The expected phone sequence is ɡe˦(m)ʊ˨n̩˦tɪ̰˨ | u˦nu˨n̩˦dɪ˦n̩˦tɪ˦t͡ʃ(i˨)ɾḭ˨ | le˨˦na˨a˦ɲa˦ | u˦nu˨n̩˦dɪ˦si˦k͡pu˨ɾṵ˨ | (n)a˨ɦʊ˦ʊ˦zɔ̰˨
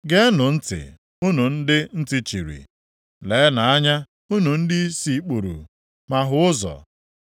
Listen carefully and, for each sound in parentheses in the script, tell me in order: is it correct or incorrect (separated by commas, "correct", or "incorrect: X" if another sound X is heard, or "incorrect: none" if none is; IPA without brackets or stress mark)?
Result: incorrect: n, correct, incorrect: m